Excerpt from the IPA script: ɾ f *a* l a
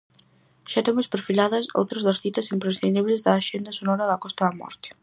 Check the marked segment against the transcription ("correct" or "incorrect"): incorrect